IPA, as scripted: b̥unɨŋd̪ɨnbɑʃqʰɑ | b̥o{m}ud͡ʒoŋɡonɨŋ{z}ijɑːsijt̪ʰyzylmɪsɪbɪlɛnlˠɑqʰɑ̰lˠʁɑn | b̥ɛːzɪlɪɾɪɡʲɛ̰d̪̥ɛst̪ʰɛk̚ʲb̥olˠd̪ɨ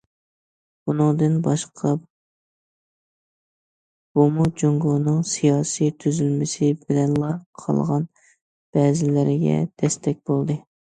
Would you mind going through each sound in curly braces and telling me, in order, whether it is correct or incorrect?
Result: correct, incorrect: s

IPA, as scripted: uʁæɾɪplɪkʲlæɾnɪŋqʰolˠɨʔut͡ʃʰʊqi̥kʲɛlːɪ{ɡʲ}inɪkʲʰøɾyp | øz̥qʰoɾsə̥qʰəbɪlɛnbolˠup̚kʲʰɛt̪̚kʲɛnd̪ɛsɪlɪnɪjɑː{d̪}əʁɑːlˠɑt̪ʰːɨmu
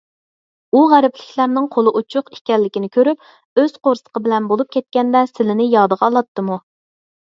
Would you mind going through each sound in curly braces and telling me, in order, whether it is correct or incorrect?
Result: incorrect: kʲ, correct

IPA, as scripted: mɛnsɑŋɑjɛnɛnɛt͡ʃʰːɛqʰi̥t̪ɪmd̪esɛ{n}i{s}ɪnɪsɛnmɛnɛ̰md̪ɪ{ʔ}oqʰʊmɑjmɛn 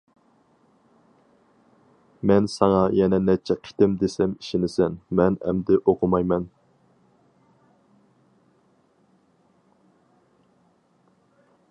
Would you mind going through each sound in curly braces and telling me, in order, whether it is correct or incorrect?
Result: incorrect: m, incorrect: ʃ, correct

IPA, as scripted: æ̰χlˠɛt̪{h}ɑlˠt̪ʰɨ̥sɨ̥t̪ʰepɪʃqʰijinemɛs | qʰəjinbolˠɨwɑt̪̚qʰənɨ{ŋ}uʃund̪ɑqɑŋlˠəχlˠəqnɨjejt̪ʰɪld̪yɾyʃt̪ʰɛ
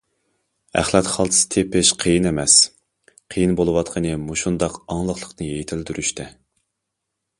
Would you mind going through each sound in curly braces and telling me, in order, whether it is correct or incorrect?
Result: incorrect: χ, incorrect: m

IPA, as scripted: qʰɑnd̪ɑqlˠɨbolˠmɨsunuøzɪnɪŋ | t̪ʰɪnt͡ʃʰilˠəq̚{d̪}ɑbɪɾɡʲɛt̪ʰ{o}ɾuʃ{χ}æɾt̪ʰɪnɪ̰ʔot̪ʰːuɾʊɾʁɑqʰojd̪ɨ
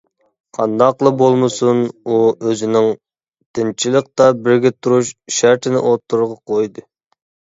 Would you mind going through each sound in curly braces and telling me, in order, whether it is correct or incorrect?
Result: incorrect: t̪, incorrect: u, incorrect: ʃ

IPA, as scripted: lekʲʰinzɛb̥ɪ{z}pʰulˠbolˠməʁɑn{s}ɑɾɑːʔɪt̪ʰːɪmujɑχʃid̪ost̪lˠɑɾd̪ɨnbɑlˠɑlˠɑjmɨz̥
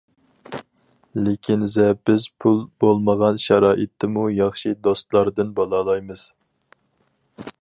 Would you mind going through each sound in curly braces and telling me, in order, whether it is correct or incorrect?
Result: correct, incorrect: ʃ

